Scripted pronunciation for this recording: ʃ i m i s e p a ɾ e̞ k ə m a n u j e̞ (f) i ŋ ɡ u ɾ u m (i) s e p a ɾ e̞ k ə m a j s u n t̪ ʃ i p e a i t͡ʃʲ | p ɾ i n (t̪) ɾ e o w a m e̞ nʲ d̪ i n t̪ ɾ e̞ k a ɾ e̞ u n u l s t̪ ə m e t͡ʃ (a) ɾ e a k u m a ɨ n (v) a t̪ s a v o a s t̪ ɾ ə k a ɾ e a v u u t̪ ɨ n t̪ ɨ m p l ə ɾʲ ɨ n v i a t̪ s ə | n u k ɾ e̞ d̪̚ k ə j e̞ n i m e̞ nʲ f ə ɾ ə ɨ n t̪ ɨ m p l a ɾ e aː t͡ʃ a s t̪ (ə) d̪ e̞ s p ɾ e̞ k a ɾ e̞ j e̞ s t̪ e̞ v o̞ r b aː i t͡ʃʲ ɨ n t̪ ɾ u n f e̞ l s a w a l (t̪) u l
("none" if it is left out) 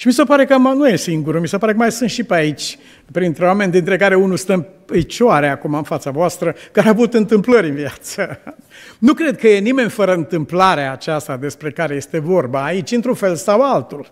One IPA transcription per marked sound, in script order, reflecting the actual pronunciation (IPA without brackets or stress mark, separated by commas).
s, i, t̪, a, f, a, t̪